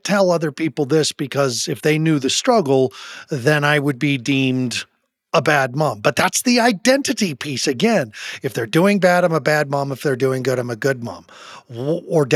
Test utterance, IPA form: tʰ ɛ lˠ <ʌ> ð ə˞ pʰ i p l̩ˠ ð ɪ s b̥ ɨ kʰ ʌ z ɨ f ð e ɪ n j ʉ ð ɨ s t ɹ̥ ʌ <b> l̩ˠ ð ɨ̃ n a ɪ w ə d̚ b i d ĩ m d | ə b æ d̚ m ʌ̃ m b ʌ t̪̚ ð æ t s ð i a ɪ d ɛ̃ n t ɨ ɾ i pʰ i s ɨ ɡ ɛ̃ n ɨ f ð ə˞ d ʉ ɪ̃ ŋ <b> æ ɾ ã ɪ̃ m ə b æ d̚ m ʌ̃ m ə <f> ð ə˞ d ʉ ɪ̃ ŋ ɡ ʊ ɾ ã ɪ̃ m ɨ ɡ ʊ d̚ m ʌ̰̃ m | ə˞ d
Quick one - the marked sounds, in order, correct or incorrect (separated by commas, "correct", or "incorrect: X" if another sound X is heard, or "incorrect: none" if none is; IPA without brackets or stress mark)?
correct, incorrect: ɡ, correct, correct